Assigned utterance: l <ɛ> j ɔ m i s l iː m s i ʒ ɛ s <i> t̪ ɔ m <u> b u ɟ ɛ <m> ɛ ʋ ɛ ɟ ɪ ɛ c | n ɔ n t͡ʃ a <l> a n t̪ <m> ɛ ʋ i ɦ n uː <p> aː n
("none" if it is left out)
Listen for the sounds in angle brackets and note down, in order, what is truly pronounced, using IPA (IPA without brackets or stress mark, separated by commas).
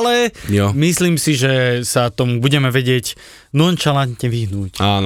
ɛ, a, u, m, l, ɲ, c